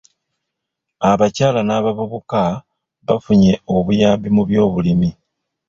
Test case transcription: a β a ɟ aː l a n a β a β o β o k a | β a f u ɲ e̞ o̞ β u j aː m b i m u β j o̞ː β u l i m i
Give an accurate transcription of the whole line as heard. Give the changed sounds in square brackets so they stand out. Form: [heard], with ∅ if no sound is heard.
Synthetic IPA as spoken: a β a [c] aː l a n a β a β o β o k a | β a f u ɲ e̞ o̞ β u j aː m b i m u β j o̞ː β u l i m i